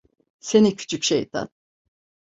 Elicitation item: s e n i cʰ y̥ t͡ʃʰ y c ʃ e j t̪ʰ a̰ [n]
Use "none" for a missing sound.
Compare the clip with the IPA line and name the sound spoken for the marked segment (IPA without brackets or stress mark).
n